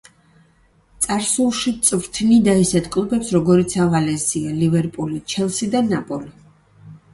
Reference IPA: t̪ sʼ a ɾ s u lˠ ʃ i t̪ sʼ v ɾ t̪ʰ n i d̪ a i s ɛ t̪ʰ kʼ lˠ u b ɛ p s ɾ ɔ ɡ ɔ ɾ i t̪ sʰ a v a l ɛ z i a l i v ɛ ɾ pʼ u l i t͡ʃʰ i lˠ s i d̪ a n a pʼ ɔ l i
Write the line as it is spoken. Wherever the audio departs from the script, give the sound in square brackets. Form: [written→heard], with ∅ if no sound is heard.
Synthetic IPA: t̪ sʼ a ɾ s u lˠ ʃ i t̪ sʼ v ɾ t̪ʰ n i d̪ a i s ɛ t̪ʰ kʼ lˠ u b ɛ p s ɾ ɔ ɡ ɔ ɾ i t̪ sʰ a v a l ɛ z i a l i v ɛ ɾ pʼ u l i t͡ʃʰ [i→ɛ] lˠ s i d̪ a n a pʼ ɔ l i